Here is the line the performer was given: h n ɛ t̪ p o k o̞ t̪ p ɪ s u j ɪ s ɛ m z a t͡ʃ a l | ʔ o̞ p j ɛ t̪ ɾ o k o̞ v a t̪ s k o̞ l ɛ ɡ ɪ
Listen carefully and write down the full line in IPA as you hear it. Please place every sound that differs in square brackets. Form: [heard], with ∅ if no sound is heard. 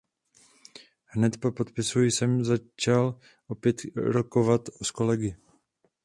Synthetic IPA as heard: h n ɛ t̪ p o [p] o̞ t̪ p ɪ s u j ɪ s ɛ m z a t͡ʃ a l | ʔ o̞ p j ɛ t̪ ɾ o k o̞ v a t̪ s k o̞ l ɛ ɡ ɪ